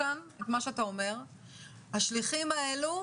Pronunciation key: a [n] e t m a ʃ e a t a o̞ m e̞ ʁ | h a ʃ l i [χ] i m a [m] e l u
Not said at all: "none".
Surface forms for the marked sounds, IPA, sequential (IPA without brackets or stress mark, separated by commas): n, χ, none